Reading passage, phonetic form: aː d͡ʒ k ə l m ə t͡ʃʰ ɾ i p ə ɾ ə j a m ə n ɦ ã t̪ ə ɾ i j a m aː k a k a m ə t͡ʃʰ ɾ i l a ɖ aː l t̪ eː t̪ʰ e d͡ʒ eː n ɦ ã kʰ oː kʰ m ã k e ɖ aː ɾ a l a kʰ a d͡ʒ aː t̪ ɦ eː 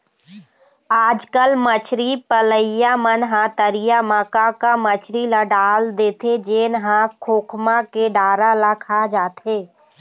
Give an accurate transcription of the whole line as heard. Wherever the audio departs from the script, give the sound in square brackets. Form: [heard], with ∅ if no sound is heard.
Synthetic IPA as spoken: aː d͡ʒ k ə l m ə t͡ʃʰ ɾ i p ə [l] ə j a m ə n ɦ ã t̪ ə ɾ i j a m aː k a k a m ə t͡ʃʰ ɾ i l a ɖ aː l [d̪] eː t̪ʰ e d͡ʒ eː n ɦ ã kʰ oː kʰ m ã k e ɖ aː ɾ a l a kʰ a d͡ʒ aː t̪ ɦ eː